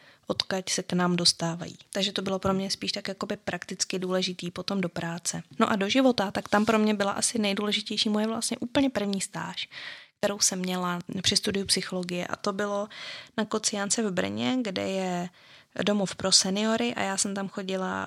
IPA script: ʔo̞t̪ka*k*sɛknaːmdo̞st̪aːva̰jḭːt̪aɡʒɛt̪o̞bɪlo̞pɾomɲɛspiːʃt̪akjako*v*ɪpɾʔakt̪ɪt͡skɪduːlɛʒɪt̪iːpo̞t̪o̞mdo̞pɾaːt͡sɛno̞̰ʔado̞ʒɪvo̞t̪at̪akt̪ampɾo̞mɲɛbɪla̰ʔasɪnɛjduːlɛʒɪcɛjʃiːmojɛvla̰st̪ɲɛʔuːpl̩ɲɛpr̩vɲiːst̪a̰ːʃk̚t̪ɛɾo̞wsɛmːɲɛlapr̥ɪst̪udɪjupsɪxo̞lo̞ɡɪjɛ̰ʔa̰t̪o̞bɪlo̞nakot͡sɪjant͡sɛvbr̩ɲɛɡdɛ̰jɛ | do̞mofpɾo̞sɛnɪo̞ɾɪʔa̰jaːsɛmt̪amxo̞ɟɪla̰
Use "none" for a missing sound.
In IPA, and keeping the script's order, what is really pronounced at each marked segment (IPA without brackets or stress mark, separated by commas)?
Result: c, b